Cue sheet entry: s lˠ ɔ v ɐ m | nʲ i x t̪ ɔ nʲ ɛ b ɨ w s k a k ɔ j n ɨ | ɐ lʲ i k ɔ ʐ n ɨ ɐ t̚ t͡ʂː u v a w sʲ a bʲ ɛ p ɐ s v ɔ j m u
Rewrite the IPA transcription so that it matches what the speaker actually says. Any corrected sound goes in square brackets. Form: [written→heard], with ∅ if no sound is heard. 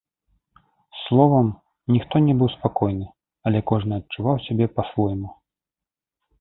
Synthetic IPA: s lˠ ɔ v ɐ m | nʲ i x t̪ ɔ nʲ ɛ b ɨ w s [k→p] a k ɔ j n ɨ | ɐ lʲ [i→ɛ] k ɔ ʐ n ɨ ɐ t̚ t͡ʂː u v a w sʲ a bʲ ɛ p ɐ s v ɔ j m u